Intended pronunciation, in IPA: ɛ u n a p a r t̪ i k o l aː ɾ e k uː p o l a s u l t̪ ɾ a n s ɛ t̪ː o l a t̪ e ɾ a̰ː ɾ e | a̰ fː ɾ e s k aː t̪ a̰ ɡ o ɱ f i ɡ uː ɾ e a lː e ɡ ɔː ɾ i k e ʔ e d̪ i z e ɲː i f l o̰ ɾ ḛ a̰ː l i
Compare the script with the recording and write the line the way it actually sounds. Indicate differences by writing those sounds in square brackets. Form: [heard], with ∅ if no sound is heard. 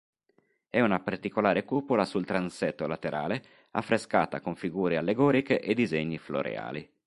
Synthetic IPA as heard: ɛ u n a p a r t̪ i k o l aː ɾ e k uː p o l a s u l t̪ ɾ a n s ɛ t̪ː o l a t̪ e ɾ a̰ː [l] e | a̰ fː ɾ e s k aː t̪ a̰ [k] o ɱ f i ɡ uː ɾ e a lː e ɡ ɔː ɾ i k e ʔ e d̪ i z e ɲː i f l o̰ ɾ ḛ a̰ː l i